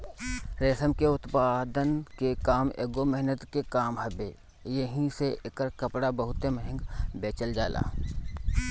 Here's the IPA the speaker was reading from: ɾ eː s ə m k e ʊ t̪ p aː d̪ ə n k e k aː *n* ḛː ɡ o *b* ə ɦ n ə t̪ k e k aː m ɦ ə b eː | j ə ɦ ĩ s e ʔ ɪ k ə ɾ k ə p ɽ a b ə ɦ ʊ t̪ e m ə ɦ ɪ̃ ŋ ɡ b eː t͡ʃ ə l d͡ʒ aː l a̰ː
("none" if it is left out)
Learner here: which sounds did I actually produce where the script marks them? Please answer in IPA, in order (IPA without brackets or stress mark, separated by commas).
m, m